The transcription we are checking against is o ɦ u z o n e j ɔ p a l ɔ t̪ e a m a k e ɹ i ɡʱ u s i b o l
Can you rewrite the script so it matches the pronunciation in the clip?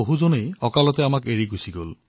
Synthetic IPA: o ɦ u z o n e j ɔ k a l ɔ t̪ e a m a k e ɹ i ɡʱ u s i ɡ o l